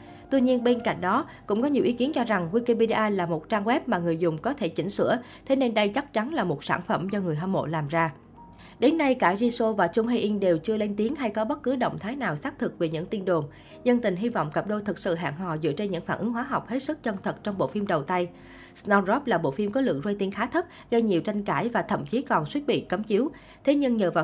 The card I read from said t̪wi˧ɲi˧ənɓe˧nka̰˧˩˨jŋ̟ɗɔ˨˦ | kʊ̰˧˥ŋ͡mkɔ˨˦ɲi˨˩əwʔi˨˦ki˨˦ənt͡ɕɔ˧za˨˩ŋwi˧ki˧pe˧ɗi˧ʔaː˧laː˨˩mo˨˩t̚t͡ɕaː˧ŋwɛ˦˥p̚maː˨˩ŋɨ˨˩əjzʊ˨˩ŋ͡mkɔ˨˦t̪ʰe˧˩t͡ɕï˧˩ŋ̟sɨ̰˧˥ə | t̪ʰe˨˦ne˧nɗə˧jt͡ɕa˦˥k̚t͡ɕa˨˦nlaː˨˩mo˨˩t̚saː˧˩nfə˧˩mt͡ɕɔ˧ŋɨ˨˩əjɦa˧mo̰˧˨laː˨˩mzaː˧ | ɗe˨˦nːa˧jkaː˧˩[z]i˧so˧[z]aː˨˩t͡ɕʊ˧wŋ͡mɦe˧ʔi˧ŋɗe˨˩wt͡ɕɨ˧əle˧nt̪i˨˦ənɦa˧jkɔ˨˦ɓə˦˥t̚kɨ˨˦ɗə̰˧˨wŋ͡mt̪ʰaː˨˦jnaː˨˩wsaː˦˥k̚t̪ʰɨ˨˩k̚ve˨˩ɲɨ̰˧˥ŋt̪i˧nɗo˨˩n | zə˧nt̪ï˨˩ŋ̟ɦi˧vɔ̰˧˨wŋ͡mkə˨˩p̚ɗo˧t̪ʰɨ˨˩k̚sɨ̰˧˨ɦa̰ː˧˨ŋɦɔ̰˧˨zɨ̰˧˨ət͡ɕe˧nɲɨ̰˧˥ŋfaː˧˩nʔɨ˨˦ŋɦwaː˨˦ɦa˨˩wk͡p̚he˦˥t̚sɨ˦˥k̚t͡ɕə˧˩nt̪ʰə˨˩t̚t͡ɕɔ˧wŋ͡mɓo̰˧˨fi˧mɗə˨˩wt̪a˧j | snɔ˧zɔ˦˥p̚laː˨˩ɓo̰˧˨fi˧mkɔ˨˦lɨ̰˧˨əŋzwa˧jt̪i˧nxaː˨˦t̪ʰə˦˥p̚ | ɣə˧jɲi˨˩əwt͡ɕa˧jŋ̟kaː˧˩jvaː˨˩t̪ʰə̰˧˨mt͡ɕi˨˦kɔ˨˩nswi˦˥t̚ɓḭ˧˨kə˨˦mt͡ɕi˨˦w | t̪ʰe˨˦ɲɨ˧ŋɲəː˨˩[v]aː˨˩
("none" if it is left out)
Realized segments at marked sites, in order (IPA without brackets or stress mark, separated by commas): z, v, v